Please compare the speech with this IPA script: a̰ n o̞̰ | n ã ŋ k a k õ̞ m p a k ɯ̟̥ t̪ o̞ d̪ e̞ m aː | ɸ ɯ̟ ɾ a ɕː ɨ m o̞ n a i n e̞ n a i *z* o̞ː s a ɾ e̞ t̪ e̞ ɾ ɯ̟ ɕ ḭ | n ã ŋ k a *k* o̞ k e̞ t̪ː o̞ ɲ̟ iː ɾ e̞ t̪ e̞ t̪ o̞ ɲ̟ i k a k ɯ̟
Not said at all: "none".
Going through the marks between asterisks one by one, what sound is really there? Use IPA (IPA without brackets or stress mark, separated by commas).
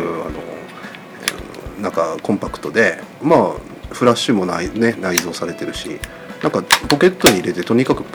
z, p